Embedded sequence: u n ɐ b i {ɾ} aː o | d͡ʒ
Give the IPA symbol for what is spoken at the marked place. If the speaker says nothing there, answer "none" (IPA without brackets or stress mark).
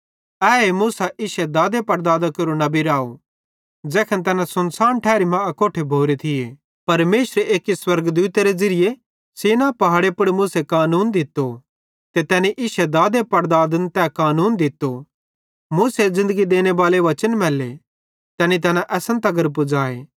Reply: ɾ